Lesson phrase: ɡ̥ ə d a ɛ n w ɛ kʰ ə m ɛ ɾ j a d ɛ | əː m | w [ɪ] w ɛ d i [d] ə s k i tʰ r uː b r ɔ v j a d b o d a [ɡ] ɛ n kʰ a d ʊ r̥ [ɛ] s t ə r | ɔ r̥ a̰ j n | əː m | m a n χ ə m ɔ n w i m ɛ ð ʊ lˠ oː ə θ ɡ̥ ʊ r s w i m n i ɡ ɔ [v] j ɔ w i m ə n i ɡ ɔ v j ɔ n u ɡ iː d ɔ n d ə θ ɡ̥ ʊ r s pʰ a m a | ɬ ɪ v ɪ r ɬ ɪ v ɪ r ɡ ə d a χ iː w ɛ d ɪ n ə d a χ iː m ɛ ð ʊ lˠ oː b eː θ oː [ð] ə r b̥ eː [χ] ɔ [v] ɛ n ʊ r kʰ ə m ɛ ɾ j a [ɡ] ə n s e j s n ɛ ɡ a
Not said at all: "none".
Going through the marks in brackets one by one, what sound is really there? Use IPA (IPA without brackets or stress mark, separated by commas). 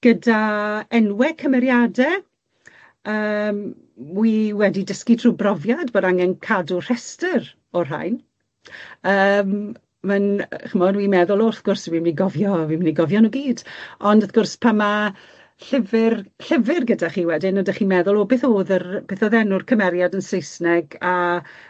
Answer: i, d, ŋ, ɛ, v, ð, θ, ð, d